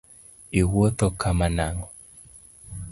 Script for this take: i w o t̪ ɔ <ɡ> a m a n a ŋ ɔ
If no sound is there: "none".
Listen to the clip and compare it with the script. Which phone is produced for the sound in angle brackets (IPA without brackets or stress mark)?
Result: k